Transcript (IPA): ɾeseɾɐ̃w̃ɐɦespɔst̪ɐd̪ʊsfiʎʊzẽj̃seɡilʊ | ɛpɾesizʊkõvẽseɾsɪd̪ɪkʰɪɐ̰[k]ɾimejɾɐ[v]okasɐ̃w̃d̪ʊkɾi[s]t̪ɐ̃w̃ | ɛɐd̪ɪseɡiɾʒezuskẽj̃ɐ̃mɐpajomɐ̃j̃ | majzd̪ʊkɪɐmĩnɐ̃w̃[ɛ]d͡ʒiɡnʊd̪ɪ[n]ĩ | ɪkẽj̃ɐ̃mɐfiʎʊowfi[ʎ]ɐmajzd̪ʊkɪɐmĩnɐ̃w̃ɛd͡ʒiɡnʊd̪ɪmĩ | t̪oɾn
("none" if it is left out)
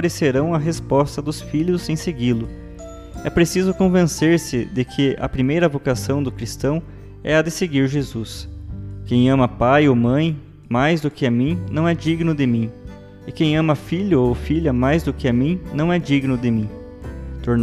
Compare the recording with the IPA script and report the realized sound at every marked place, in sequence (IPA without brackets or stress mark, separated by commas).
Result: p, v, s, ɛ, m, ʎ